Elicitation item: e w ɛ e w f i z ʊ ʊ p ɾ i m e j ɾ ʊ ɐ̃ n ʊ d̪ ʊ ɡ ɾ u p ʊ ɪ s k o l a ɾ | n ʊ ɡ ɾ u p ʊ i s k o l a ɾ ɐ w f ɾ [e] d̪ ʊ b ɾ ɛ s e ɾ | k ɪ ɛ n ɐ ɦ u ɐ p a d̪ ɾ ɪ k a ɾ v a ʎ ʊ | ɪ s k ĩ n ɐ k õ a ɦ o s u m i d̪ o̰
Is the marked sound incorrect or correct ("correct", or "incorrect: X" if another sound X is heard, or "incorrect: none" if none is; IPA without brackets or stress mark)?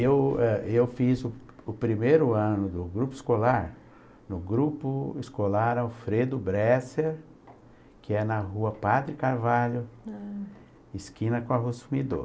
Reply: correct